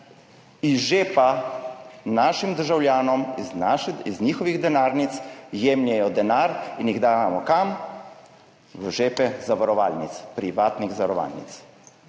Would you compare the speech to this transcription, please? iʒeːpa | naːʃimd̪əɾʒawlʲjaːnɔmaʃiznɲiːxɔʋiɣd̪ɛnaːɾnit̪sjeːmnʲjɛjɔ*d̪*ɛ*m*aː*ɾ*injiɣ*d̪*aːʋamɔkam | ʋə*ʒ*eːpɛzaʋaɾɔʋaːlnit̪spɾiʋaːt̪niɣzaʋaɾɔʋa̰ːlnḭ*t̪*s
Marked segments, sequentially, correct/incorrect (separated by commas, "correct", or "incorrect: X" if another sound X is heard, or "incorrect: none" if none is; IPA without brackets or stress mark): correct, incorrect: n, correct, correct, correct, correct